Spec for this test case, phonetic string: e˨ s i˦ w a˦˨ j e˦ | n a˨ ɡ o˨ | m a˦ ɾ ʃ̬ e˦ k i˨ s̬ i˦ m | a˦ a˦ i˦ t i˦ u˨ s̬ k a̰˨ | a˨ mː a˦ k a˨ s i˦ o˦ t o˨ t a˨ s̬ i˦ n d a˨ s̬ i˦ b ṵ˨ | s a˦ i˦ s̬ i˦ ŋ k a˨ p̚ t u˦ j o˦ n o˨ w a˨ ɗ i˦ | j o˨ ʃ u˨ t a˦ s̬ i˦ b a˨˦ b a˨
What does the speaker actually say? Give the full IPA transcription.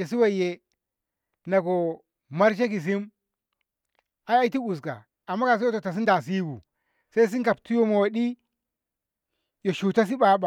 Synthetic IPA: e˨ s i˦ w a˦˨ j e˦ | n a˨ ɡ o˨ | m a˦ ɾ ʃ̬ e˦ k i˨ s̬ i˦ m | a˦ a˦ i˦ t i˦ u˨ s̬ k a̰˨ | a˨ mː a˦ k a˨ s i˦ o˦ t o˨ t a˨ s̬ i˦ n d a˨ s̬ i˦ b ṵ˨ | s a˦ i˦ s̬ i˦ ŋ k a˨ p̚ t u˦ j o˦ m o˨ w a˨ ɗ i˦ | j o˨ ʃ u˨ t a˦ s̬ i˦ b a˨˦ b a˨